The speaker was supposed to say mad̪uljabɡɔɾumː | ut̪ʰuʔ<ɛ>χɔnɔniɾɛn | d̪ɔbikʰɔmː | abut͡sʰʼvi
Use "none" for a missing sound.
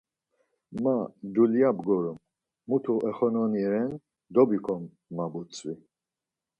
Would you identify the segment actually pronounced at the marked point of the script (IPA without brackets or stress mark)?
ɛ